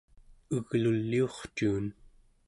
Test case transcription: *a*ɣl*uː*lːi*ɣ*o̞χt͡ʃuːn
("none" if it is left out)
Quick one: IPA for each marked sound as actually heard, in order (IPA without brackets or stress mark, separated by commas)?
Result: ə, u, none